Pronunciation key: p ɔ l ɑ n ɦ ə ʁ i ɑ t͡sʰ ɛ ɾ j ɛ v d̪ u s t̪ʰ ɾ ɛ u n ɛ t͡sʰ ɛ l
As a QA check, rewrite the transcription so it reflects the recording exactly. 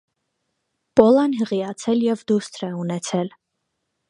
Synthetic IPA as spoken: p ɔ l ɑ n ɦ ə ʁ i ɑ t͡sʰ ɛ l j ɛ v d̪ u s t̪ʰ ɾ ɛ u n ɛ t͡sʰ ɛ l